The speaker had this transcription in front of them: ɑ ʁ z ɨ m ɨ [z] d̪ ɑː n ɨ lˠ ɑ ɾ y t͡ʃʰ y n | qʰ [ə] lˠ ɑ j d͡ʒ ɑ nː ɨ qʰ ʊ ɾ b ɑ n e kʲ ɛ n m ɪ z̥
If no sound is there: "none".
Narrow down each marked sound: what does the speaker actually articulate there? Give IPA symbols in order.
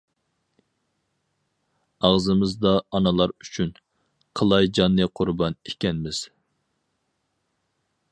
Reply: z, ə

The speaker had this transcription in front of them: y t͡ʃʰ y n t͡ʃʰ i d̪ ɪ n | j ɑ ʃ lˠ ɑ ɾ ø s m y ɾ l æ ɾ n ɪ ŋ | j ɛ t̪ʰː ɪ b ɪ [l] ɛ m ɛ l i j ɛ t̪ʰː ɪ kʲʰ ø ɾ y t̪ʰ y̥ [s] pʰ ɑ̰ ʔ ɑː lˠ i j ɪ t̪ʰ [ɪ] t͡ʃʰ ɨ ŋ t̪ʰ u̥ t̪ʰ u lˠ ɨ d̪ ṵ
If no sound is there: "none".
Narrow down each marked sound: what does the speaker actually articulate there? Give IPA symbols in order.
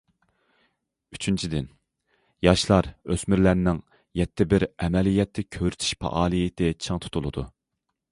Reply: ɾ, ʃ, ɪ

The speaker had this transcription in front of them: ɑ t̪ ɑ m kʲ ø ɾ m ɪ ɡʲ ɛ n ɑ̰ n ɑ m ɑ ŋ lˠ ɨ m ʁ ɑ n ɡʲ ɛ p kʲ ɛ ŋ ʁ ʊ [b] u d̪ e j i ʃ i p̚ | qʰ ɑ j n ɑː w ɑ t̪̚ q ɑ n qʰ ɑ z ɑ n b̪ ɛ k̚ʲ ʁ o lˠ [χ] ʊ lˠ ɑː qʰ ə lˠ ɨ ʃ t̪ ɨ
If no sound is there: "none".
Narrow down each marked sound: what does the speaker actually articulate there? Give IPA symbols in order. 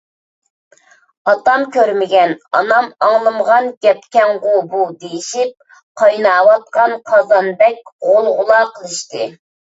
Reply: b, ʁ

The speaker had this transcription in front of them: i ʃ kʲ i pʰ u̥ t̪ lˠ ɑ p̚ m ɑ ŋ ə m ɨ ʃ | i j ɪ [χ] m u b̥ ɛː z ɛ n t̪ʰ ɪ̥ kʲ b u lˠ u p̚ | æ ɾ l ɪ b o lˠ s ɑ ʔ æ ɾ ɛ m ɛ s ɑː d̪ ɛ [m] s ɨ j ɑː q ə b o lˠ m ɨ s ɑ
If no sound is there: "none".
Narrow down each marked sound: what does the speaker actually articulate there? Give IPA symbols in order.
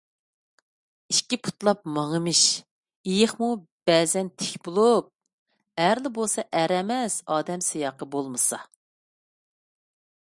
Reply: χ, m

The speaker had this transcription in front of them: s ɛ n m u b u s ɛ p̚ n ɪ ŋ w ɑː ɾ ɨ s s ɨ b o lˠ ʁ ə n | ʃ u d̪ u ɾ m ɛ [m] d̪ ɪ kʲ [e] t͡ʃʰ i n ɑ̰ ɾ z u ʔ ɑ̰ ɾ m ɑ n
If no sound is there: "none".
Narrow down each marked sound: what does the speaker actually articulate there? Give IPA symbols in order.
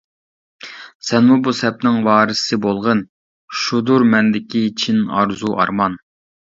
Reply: n, i

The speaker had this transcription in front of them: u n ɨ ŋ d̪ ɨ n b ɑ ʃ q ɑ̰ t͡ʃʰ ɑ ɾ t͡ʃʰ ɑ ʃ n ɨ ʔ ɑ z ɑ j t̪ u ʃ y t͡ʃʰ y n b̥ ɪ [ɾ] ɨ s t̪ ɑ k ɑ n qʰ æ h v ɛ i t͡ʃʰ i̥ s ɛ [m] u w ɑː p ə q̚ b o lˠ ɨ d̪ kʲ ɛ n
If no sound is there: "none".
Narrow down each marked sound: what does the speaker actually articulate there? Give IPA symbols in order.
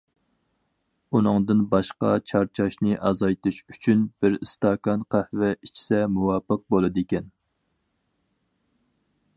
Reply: ɾ, m

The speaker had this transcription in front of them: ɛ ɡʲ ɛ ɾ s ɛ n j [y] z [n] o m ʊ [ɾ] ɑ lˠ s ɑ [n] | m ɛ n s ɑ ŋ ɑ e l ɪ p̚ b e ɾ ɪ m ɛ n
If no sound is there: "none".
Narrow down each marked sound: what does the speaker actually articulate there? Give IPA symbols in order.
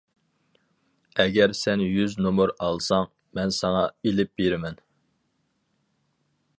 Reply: y, n, ɾ, ŋ

